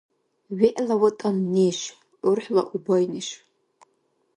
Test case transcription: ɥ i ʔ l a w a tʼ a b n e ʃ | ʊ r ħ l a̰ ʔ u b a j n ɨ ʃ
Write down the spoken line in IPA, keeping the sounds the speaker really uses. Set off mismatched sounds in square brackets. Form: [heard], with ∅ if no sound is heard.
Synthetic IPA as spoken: ɥ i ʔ l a w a tʼ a [m] n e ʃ | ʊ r ħ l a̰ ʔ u b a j n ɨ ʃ